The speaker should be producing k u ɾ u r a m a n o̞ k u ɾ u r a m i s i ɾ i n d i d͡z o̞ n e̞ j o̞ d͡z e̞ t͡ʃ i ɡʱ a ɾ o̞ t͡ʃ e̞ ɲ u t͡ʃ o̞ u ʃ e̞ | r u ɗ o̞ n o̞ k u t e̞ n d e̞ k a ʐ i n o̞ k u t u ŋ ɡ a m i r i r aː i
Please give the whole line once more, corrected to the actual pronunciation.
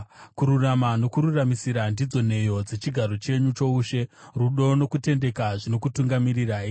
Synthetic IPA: k u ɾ u r a m a n o̞ k u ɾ u r a m i s i ɾ a n d i d͡z o̞ n e̞ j o̞ d͡z e̞ t͡ʃ i ɡʱ a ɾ o̞ t͡ʃ e̞ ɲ u t͡ʃ o̞ u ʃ e̞ | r u ɗ o̞ n o̞ k u t e̞ n d e̞ k a ʐ i n o̞ k u t u ŋ ɡ a m i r i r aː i

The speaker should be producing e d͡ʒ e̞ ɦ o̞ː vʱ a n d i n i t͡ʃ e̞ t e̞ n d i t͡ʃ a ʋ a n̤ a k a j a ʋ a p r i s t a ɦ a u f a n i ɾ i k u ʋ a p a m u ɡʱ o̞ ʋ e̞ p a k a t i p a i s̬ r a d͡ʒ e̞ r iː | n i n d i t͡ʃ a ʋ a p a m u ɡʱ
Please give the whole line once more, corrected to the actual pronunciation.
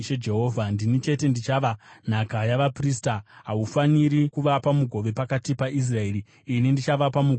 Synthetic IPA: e d͡ʒ e̞ ɦ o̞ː vʱ a n d i n i t͡ʃ e̞ t e̞ n d i t͡ʃ a ʋ a n̤ a k a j a ʋ a p r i s t a ɦ a u f a n i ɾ i k u ʋ a p a m u ɡʱ o̞ ʋ e̞ p a k a t i p a i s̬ r a e̞ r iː | n i n d i t͡ʃ a ʋ a p a m u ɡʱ

